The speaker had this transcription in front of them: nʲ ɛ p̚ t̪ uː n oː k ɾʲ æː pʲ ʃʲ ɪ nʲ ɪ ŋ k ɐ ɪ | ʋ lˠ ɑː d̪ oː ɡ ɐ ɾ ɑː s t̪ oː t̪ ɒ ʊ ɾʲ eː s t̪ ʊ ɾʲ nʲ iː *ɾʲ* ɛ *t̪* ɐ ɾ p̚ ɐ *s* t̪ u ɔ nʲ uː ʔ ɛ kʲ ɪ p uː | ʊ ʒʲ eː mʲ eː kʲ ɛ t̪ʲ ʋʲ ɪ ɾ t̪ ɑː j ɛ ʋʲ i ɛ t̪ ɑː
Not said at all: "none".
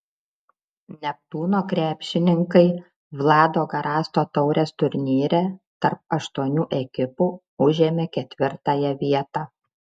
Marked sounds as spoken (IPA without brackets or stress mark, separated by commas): ɾʲ, t̪, ʃ